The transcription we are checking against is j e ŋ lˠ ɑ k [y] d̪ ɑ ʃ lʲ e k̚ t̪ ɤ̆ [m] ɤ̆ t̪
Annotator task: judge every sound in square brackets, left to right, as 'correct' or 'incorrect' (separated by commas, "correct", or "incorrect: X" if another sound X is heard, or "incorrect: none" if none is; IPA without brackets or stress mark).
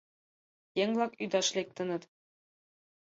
correct, incorrect: n